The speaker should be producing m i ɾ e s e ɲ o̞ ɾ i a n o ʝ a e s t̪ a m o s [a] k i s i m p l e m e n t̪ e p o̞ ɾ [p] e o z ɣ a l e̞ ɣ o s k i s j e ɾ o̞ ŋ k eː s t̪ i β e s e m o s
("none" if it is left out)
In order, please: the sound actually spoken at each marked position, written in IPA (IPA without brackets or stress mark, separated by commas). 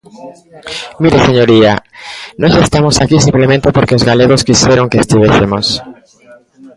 a, k